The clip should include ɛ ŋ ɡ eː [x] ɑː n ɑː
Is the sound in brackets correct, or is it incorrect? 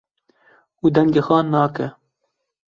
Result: correct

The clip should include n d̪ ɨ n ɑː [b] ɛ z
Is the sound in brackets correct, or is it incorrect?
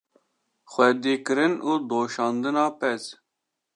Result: incorrect: p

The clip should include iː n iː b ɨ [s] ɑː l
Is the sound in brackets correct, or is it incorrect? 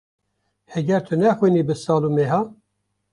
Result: correct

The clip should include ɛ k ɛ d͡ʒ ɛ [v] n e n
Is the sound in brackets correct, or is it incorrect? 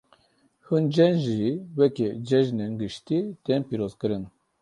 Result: incorrect: ʒ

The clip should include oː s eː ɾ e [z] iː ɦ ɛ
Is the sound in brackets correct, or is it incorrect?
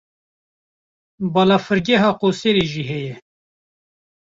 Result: incorrect: ʒ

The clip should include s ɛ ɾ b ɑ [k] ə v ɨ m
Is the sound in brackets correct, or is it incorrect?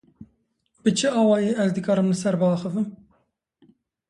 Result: incorrect: x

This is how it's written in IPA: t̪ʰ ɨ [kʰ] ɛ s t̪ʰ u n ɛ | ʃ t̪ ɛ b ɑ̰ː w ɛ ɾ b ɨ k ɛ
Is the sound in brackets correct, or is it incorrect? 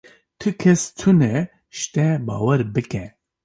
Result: correct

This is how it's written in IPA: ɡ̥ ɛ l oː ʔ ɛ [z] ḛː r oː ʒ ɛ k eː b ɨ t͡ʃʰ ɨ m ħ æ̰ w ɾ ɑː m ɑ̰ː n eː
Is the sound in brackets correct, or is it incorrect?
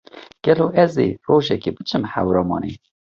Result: correct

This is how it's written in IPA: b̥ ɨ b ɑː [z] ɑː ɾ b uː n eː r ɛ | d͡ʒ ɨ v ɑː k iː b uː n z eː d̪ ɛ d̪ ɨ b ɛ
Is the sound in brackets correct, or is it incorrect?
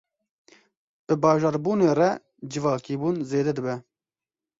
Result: incorrect: ʒ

